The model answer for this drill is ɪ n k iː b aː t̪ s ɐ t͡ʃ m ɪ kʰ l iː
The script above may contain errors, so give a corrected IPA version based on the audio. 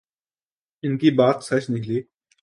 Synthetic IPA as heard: ɪ n k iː b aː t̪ s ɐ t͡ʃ n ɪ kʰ l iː